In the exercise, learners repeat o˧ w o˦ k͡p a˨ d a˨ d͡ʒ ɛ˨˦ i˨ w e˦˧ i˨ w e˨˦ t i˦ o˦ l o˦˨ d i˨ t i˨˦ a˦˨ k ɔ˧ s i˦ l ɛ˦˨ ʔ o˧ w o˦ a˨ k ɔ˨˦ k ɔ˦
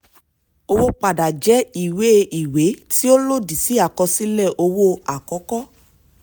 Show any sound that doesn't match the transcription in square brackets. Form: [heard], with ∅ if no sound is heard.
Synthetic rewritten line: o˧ w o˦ k͡p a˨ d a˨ d͡ʒ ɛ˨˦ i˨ w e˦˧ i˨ w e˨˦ t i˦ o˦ l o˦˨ d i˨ [s] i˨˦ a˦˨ k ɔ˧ s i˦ l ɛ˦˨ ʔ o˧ w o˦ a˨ k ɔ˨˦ k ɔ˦